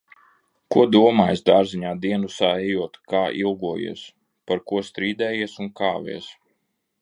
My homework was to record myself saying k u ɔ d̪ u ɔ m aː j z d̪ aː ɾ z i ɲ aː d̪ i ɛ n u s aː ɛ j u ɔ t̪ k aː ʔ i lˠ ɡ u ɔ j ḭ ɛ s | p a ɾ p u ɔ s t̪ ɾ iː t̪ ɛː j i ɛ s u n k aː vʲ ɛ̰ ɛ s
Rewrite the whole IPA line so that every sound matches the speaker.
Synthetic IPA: k u ɔ d̪ u ɔ m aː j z d̪ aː ɾ z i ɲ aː d̪ i ɛ n u s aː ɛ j u ɔ t̪ k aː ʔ i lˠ ɡ u ɔ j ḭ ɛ s | p a ɾ k u ɔ s t̪ ɾ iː d̪ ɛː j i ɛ s u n k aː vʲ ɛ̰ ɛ s